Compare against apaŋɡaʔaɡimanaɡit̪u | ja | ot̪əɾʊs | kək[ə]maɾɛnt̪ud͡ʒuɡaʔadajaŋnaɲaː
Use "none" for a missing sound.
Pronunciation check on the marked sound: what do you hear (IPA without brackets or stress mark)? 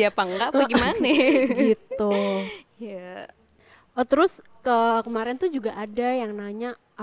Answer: ə